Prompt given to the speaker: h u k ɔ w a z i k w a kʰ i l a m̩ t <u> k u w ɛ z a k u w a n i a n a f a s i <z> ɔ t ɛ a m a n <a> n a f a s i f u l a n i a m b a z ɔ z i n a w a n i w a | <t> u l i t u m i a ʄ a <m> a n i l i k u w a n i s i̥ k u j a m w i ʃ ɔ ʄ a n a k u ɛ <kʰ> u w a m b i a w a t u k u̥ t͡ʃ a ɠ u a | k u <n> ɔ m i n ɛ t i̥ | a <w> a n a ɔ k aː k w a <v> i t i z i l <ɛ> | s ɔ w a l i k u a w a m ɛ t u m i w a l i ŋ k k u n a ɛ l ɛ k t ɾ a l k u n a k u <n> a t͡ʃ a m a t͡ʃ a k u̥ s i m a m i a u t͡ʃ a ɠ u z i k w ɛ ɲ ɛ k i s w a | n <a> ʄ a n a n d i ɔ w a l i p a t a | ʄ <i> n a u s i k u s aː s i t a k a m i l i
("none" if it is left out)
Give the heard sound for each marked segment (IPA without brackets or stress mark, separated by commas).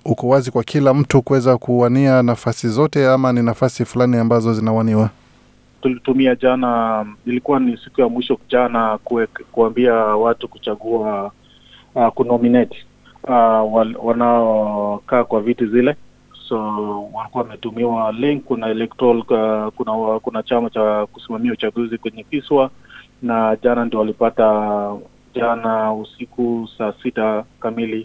u, z, i, t, n, k, n, w, v, ɛ, n, a, a